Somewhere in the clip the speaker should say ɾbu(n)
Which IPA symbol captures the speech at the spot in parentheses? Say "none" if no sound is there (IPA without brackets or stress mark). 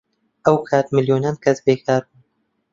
n